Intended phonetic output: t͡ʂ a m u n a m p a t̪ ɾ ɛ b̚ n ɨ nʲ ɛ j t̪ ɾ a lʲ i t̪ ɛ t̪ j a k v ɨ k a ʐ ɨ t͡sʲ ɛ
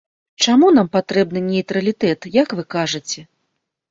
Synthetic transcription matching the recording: t͡ʂ a m u n a m p a t̪ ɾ ɛ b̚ n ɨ nʲ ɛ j t̪ ɾ ɐ lʲ i t̪ ɛ t̪ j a k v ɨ k a ʐ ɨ t͡sʲ ɛ